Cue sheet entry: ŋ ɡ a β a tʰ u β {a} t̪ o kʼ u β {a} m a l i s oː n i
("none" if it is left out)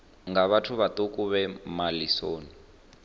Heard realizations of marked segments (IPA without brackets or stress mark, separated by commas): a, ɛ